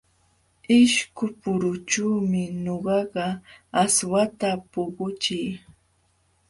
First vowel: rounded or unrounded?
unrounded